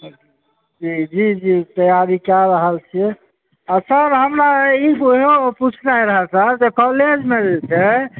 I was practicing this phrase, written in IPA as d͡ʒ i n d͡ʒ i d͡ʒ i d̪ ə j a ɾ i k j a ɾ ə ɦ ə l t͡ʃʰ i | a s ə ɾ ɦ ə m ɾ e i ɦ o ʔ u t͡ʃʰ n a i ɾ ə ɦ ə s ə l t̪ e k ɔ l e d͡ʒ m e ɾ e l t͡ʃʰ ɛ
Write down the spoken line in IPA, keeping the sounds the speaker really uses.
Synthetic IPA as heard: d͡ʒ i d͡ʒ i d͡ʒ i t̪ ə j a ɾ i k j a ɾ ə ɦ ə l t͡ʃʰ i | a s ə ɾ ɦ ə m ɾ a i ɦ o p u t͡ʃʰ n a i ɾ ə ɦ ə s ə ɾ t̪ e k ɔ l e d͡ʒ m e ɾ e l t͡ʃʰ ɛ